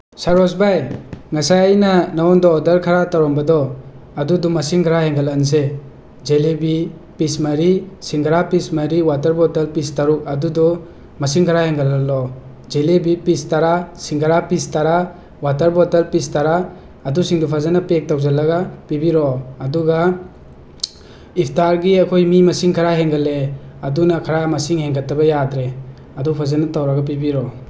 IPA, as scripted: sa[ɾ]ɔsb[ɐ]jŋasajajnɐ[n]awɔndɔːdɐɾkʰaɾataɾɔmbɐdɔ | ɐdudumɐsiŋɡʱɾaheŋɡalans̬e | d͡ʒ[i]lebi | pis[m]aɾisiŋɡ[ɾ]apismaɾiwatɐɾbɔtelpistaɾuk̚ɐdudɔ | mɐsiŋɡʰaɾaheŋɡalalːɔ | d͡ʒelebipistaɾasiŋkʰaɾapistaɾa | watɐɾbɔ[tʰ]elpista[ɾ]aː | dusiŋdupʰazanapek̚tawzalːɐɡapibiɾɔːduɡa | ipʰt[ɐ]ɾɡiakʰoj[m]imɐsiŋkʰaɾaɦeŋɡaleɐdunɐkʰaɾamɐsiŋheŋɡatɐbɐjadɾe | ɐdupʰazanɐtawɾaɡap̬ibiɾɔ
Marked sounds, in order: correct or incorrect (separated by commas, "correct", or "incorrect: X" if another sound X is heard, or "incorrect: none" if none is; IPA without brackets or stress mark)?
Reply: correct, incorrect: a, correct, incorrect: e, correct, correct, incorrect: t, correct, incorrect: a, correct